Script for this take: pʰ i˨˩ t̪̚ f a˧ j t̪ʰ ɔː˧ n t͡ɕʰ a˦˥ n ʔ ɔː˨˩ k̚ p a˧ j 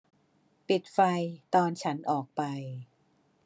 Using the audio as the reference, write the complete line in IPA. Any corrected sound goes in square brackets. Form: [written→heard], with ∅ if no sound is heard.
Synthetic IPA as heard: [pʰ→p] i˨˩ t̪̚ f a˧ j [t̪ʰ→t̪] ɔː˧ n t͡ɕʰ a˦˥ n ʔ ɔː˨˩ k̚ p a˧ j